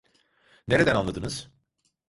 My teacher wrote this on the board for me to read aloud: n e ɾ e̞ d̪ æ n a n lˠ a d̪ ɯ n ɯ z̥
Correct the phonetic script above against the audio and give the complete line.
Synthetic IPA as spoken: n e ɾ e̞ d̪ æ n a n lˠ a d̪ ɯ n ɯ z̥